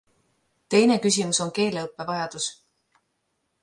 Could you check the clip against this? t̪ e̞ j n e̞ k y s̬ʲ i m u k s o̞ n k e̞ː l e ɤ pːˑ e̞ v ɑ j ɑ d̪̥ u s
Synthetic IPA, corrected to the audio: t̪ e̞ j n e̞ k y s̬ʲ i m u s o̞ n k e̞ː l e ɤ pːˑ e̞ v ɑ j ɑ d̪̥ u s